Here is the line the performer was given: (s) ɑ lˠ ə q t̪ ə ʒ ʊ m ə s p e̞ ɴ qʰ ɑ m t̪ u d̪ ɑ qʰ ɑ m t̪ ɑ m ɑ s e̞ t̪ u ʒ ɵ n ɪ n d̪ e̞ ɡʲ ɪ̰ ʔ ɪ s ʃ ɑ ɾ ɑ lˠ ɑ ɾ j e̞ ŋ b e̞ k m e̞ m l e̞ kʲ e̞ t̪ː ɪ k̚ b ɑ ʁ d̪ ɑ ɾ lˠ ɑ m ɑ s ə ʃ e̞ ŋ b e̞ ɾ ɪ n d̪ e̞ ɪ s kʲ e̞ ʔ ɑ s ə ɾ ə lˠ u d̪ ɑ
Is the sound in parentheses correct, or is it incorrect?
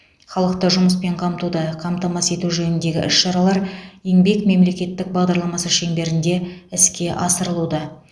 incorrect